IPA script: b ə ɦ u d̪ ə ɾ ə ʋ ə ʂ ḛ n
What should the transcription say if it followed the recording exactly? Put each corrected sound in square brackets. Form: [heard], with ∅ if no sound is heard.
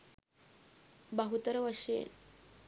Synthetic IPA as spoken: b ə ɦ u [t̪] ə ɾ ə ʋ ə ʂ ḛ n